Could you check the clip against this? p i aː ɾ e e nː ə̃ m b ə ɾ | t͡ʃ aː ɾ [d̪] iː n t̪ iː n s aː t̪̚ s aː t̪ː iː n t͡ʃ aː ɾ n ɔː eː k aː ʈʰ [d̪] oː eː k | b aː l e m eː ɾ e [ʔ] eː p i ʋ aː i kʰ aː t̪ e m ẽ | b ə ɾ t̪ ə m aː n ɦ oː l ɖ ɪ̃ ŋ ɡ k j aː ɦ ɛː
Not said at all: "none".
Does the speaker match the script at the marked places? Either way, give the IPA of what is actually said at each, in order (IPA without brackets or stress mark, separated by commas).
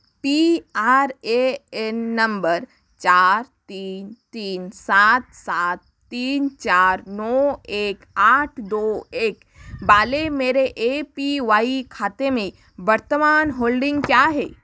t̪, d̪, ʔ